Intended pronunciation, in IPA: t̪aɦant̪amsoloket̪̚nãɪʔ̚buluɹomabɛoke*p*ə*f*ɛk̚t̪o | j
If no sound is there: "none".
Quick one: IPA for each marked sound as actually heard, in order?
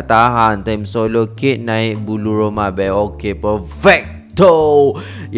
p, f

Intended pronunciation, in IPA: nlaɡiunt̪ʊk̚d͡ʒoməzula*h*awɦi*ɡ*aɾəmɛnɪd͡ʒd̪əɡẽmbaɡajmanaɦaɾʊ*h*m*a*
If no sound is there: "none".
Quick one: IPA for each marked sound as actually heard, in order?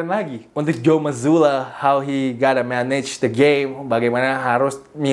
h, ɡ, s, i

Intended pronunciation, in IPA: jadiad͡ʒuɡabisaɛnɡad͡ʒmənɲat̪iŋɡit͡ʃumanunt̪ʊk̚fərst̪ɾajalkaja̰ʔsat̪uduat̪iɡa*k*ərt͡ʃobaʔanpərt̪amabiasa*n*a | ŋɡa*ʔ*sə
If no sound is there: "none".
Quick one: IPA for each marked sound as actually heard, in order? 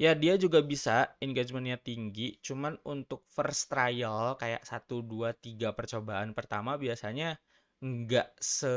p, ɲ, ʔ

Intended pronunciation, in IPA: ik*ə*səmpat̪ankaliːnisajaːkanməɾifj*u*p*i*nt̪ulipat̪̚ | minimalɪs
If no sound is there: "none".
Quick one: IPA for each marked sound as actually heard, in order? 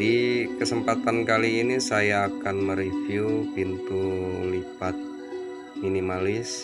ə, u, i

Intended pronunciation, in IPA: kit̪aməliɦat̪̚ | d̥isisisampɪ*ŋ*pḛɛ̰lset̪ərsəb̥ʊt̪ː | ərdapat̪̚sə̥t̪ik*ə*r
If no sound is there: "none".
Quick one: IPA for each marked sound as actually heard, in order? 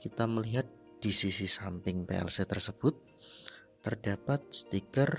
ŋ, ə

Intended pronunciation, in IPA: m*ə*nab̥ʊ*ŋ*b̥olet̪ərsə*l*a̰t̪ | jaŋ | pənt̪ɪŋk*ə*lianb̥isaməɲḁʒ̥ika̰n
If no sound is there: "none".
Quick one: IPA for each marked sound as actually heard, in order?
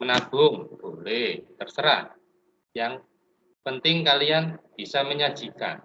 ə, ŋ, ɾ, a

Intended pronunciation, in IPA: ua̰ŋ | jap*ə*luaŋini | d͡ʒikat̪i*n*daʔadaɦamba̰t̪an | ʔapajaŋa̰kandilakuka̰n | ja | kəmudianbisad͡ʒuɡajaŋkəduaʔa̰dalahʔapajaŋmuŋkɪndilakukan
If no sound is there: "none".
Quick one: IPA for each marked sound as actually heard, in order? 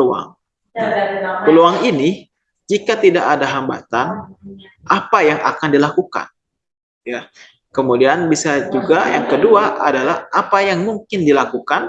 ə, none

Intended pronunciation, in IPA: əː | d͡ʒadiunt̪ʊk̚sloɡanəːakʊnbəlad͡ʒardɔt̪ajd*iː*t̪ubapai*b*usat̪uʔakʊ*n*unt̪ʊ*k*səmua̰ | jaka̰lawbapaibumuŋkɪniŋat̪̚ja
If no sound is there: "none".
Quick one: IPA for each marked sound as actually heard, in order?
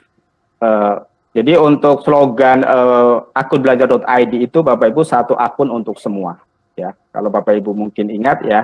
iː, b, n, k

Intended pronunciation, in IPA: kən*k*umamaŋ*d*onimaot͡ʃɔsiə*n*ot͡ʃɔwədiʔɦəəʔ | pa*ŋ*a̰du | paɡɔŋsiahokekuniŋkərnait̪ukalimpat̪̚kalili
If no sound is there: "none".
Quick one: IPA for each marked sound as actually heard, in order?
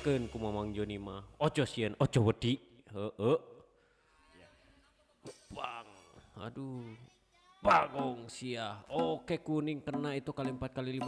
k, d͡ʒ, n, ŋ

